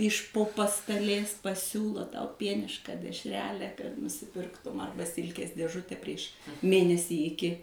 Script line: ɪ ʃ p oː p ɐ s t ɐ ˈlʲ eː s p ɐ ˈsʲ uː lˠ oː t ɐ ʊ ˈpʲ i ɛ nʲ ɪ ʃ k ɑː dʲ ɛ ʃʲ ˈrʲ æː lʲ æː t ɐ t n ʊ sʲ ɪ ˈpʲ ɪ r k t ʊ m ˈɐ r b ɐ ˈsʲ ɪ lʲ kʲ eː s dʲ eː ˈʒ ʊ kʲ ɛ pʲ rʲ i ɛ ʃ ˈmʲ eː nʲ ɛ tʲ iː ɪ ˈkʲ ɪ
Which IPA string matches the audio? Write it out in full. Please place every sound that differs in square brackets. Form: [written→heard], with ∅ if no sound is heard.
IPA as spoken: ɪ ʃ p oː p ɐ s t ɐ ˈlʲ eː s p ɐ ˈsʲ uː lˠ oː t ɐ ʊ ˈpʲ i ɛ nʲ ɪ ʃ k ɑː dʲ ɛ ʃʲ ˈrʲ æː lʲ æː [t→k] ɐ t n ʊ sʲ ɪ ˈpʲ ɪ r k t ʊ m ˈɐ r b ɐ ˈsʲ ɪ lʲ kʲ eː s dʲ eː ˈʒ ʊ [kʲ→tʲ] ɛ pʲ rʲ i ɛ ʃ ˈmʲ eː nʲ ɛ [tʲ→sʲ] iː ɪ ˈkʲ ɪ